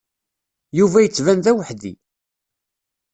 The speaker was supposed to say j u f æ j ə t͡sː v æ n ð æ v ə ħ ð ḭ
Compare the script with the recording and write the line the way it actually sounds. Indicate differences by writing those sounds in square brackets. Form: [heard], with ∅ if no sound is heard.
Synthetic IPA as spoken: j u [v] æ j ə t͡sː v æ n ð æ [w] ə ħ ð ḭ